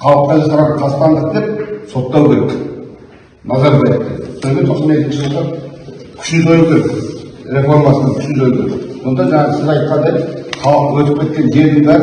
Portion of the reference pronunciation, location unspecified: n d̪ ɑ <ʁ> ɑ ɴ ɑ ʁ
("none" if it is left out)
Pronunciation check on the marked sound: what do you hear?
ʒ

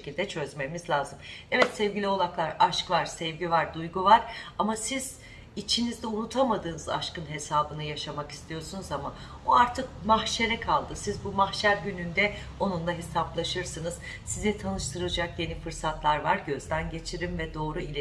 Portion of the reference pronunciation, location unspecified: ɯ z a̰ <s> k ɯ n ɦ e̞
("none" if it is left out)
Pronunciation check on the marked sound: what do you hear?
ʃ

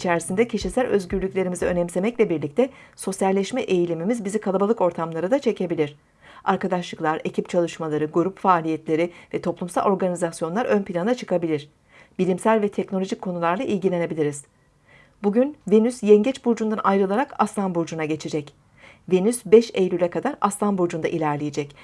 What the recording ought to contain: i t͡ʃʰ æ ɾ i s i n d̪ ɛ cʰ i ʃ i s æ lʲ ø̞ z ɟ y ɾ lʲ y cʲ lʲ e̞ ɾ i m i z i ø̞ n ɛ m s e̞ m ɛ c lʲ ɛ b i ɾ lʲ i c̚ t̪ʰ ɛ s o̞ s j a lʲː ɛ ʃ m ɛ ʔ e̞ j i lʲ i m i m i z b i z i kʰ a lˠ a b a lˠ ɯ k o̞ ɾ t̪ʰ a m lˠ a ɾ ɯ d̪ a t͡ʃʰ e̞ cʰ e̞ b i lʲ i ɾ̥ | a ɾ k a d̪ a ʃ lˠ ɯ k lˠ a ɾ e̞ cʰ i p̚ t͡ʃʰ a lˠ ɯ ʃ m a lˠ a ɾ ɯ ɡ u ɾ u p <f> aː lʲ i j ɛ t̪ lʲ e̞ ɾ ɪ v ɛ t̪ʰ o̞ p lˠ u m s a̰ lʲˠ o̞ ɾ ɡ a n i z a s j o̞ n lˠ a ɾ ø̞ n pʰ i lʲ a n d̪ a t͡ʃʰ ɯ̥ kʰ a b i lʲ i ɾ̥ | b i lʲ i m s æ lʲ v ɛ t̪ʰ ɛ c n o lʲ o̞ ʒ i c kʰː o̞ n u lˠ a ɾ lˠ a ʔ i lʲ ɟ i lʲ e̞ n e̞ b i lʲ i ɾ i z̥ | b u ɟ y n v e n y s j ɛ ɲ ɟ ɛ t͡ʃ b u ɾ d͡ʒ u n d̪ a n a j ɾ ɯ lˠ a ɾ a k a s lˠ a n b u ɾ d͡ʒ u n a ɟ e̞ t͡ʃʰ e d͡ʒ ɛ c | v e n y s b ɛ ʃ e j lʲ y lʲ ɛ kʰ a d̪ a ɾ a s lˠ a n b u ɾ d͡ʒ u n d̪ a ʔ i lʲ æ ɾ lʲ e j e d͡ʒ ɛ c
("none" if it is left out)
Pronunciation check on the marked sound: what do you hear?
f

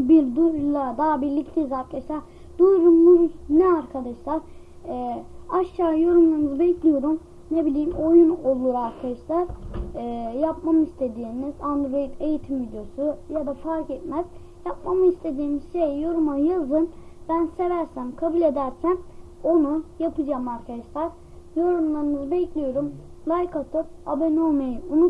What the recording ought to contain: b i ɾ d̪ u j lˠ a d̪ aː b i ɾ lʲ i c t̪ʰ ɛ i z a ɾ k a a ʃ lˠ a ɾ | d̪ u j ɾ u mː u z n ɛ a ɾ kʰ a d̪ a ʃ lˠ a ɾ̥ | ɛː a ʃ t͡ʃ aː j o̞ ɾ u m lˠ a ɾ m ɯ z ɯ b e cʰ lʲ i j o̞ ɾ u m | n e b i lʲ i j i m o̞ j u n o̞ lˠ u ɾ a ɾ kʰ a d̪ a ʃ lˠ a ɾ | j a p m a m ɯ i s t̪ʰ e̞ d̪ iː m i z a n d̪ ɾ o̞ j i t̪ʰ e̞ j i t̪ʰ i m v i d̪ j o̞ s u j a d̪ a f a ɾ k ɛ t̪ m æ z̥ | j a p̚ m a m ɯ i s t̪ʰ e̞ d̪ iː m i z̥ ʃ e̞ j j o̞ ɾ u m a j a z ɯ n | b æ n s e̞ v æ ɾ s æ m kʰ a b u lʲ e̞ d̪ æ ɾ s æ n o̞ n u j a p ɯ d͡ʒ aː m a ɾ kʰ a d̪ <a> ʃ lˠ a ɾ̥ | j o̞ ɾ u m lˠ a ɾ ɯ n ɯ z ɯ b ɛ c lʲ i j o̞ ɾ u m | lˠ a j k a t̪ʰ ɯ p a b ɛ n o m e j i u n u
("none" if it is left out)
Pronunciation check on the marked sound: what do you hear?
a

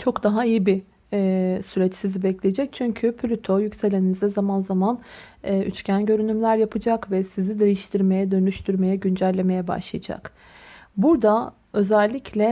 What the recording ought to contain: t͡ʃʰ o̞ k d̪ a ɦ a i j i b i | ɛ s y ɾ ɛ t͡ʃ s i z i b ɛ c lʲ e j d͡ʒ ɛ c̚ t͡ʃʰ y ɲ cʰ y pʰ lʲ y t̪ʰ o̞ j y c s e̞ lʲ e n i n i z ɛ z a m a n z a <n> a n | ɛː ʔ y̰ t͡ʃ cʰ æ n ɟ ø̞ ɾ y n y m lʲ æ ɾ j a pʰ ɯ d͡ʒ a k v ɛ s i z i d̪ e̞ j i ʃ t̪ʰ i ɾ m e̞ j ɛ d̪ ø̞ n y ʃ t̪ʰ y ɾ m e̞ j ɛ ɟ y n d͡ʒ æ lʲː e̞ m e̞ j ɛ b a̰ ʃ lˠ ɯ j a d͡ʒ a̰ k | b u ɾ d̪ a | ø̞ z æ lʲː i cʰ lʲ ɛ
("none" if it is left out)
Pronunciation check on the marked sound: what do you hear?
m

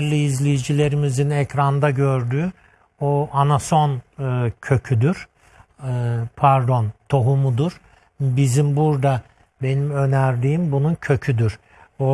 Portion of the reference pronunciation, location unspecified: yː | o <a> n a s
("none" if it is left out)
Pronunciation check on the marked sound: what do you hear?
a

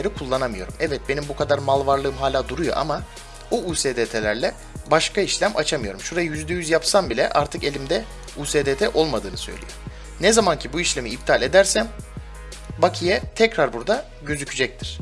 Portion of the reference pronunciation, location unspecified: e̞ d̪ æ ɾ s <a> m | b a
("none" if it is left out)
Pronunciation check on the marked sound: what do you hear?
æ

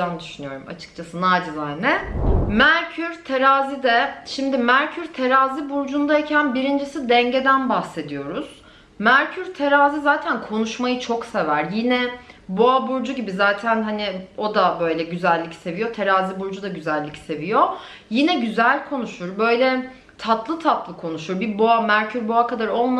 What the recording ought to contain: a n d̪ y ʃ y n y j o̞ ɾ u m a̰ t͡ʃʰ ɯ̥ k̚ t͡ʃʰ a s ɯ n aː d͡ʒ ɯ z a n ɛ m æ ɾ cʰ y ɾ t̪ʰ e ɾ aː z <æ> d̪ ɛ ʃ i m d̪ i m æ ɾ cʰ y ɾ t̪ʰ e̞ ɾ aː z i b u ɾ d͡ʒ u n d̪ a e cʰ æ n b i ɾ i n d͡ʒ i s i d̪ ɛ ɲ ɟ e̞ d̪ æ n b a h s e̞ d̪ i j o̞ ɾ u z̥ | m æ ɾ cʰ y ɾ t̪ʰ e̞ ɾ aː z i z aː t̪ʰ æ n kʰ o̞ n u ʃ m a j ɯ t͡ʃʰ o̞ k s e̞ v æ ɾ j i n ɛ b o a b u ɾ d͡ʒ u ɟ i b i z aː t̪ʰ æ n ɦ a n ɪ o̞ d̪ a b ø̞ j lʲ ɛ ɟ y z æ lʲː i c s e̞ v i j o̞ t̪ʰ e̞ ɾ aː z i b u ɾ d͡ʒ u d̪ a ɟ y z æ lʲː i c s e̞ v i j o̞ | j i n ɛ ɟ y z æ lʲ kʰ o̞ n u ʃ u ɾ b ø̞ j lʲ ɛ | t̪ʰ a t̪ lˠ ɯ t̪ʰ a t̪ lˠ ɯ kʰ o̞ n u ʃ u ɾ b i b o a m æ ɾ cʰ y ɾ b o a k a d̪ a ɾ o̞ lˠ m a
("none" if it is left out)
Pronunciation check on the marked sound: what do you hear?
i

